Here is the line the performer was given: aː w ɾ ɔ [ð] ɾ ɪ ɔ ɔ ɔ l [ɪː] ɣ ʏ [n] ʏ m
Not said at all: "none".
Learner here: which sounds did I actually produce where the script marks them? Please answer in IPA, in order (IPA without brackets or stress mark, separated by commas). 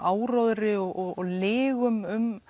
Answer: ð, ɪː, m